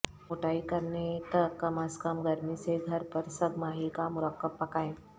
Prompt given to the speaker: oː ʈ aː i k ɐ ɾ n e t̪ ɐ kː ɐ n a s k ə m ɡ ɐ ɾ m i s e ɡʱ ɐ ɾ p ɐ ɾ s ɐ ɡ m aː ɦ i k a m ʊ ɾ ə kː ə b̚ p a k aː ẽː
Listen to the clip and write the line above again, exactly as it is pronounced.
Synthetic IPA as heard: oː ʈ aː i k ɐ ɾ n e t̪ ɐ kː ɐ m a s k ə m ɡ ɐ ɾ m i s e ɡʱ ɐ ɾ p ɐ ɾ s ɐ ɡ m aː ɦ i k a m ʊ ɾ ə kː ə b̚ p ɐ k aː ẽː